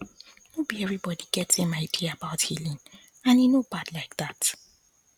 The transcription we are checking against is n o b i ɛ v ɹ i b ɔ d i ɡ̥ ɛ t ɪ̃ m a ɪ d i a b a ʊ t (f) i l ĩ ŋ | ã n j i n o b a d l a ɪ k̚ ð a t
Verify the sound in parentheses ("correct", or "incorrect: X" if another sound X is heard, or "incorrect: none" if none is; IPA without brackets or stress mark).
incorrect: h